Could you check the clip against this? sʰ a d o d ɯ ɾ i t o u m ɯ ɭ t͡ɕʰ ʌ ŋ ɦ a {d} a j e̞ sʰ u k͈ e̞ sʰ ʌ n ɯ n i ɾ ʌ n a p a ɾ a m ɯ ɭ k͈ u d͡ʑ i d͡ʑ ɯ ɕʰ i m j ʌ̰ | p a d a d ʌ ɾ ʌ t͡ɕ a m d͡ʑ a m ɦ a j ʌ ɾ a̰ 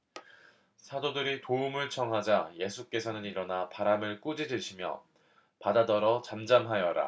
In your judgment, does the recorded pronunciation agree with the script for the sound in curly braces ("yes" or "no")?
no